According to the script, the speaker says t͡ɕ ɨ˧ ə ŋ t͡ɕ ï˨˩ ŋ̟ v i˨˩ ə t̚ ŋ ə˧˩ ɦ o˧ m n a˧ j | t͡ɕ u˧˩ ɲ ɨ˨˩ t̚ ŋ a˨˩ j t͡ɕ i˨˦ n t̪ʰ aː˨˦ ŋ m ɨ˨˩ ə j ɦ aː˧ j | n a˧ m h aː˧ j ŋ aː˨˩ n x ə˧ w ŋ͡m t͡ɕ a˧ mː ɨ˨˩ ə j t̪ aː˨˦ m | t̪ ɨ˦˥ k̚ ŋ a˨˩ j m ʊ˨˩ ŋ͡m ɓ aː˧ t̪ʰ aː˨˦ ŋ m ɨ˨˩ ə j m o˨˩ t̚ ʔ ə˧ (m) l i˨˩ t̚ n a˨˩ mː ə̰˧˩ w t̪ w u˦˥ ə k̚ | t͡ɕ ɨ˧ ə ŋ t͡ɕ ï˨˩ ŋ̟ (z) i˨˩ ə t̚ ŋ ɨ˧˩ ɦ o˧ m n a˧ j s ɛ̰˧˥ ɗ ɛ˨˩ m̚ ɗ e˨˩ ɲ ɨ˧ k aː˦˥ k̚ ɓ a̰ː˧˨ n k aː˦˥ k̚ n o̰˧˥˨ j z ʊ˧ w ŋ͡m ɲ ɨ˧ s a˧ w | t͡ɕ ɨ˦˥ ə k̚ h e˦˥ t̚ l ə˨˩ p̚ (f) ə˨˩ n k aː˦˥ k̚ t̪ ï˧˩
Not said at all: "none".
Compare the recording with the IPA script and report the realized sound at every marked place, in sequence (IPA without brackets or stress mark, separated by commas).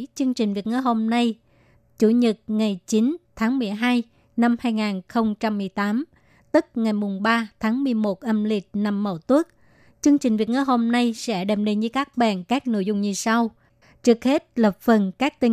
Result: m, v, f